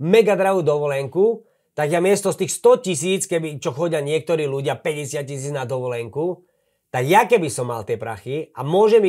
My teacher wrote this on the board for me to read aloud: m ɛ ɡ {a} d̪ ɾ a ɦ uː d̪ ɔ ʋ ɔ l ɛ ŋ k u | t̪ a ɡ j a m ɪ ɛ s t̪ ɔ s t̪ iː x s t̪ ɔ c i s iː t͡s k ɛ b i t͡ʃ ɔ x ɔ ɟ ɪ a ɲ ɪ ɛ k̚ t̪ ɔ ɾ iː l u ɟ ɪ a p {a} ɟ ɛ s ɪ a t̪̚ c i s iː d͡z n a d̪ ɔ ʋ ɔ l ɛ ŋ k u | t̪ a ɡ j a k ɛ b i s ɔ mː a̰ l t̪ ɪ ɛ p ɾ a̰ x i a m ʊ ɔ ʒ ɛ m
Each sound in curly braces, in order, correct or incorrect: correct, incorrect

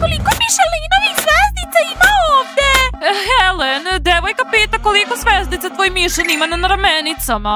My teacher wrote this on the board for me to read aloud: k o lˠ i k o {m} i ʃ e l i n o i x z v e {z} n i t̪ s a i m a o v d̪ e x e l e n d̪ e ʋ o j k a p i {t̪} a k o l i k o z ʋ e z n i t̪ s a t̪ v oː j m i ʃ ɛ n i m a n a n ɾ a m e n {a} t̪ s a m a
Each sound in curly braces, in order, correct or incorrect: correct, correct, correct, incorrect

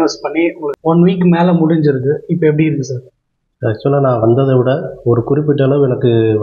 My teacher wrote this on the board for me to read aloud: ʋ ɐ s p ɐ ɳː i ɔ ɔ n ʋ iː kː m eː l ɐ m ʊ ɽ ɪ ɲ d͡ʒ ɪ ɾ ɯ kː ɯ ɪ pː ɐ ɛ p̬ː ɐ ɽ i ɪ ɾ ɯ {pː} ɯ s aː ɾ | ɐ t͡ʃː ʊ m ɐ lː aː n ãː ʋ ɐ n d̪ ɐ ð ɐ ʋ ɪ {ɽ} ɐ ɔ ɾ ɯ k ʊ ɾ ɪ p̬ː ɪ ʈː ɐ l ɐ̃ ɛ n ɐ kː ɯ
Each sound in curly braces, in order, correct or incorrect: incorrect, correct

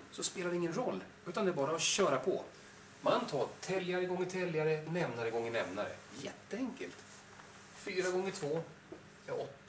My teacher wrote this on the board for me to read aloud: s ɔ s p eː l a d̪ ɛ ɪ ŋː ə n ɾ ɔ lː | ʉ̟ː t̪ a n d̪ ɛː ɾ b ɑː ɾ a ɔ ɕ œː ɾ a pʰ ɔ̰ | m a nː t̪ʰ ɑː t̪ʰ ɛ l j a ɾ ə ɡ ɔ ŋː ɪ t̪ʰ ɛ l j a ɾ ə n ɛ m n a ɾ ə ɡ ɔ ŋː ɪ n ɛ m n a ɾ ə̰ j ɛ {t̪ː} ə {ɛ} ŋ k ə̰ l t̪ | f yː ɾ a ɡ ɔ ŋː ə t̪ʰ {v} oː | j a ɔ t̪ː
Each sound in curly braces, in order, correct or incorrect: correct, correct, correct

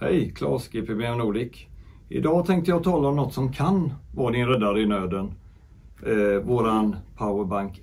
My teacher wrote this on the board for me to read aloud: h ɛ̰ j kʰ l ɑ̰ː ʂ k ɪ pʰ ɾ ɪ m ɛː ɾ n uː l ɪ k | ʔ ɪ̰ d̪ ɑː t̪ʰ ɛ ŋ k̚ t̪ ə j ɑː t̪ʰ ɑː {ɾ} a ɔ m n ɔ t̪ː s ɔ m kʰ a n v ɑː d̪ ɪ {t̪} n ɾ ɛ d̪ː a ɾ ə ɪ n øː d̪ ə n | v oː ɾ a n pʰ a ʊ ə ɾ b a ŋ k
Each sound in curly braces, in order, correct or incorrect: incorrect, incorrect

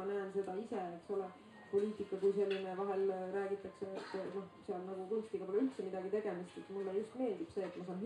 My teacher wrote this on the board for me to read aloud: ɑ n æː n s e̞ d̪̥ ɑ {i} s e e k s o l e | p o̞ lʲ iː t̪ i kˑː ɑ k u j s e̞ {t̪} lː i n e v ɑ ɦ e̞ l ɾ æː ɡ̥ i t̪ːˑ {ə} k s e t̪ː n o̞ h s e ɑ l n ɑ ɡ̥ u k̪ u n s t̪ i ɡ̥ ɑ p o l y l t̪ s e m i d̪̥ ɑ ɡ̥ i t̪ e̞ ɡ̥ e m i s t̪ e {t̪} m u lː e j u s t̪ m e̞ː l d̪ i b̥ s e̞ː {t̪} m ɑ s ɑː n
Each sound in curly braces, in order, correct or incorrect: correct, incorrect, incorrect, correct, correct

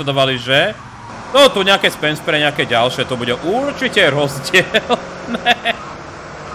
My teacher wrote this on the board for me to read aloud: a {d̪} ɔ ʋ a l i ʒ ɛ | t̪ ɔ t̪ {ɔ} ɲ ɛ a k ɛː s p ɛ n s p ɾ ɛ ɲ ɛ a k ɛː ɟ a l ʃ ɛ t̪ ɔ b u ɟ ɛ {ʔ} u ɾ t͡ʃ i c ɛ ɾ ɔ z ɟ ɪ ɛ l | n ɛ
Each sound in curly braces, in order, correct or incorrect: correct, incorrect, correct

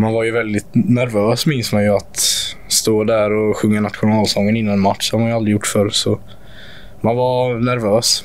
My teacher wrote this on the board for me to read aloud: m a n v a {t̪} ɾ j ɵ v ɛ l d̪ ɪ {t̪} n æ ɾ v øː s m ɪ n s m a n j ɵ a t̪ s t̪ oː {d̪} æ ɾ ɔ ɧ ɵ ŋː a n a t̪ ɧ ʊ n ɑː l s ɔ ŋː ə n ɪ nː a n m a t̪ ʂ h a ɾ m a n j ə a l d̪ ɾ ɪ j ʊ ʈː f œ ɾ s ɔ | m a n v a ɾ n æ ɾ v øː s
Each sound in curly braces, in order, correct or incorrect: incorrect, correct, correct

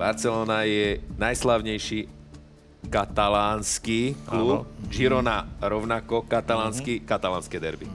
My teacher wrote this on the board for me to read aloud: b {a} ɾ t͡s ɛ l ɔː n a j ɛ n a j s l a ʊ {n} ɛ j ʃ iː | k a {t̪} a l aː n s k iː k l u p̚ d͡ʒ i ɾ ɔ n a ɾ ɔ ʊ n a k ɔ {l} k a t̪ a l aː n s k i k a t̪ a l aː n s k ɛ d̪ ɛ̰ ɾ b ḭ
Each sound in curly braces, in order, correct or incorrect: correct, incorrect, correct, incorrect

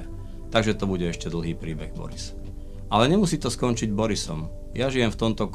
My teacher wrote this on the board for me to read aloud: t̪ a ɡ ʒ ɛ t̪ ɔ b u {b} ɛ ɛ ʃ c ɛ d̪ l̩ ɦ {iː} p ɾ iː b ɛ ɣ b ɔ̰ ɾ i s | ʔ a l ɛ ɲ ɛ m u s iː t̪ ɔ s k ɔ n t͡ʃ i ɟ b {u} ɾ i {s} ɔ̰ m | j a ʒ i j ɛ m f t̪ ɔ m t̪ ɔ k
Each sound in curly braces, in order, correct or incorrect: incorrect, correct, incorrect, correct

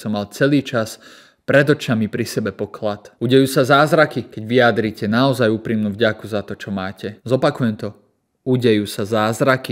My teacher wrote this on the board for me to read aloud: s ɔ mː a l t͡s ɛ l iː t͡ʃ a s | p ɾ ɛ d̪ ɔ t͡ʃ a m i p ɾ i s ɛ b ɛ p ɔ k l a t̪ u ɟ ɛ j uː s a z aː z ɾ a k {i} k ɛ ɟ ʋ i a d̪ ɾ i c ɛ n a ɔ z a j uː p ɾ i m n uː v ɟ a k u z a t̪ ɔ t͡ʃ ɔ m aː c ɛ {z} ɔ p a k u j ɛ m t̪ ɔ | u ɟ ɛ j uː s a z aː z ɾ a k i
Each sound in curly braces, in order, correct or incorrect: correct, correct

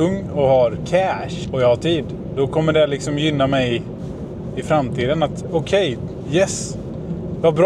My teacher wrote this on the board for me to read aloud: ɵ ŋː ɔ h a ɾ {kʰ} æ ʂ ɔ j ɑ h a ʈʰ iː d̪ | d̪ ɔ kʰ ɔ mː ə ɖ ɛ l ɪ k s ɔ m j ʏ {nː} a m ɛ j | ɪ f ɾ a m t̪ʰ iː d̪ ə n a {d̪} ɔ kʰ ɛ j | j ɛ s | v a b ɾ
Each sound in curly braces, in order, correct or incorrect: correct, correct, incorrect

